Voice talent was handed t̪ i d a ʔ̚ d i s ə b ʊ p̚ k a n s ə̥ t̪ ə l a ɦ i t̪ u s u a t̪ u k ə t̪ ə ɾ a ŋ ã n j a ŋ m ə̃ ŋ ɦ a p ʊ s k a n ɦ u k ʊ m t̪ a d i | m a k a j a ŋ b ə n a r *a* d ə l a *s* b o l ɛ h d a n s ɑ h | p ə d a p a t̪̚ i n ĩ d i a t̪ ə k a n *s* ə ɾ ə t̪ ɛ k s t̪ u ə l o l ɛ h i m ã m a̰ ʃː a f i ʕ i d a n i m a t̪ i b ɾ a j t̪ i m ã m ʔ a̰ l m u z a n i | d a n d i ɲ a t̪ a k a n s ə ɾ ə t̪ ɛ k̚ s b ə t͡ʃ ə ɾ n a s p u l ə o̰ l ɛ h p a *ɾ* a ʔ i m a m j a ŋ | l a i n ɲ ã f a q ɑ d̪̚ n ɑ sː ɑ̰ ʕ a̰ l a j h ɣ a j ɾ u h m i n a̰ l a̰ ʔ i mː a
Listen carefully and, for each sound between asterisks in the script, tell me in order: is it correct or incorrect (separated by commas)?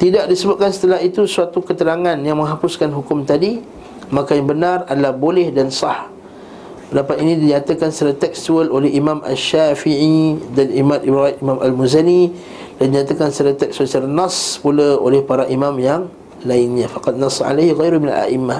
correct, incorrect, correct, correct